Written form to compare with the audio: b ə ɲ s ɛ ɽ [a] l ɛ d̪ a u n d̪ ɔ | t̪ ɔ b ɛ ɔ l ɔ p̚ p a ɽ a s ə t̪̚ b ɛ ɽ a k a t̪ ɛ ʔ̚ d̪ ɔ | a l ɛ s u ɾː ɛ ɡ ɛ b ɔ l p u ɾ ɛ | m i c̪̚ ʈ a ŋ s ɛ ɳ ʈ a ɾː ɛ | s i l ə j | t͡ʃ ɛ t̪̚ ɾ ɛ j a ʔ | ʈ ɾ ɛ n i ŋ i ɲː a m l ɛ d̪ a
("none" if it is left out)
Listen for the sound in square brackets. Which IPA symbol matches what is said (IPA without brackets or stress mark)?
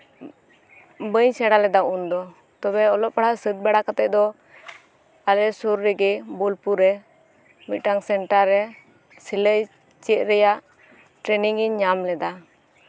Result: a